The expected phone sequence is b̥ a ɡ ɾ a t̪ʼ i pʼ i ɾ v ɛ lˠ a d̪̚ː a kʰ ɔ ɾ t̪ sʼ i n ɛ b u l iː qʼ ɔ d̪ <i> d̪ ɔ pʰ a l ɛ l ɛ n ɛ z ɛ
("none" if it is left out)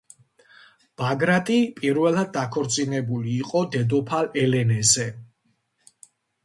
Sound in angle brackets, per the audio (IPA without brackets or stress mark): ɛ